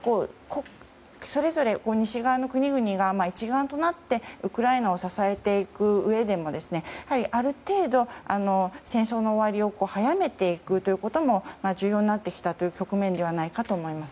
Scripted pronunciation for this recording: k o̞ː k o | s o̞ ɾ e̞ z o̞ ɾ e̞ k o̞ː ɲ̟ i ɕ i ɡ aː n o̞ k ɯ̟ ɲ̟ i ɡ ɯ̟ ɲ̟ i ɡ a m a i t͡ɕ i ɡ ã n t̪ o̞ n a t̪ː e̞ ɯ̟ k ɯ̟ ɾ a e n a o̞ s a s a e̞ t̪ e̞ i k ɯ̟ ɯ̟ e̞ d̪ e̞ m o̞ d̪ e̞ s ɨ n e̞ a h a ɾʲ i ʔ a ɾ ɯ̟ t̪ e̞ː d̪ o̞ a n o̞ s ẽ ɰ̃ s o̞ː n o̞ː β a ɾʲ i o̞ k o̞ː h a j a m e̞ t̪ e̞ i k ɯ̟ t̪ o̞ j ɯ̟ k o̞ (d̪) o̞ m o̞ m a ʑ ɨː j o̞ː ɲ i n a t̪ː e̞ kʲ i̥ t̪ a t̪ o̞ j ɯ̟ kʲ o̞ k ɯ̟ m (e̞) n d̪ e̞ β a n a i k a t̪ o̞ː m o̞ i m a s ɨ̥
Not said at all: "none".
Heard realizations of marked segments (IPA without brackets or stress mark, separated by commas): t̪, ẽ̞